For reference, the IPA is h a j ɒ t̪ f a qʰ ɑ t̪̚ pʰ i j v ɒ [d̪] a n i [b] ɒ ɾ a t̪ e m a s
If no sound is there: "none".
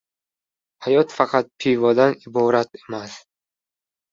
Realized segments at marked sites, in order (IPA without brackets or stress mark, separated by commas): d̪, b